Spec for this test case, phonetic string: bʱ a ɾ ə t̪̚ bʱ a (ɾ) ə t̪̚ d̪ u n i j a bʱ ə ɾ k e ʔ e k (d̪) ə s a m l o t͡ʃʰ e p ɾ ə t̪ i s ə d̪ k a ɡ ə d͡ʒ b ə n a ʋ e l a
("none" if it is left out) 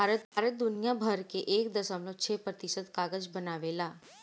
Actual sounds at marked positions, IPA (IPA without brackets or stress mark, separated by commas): ɾ, d̪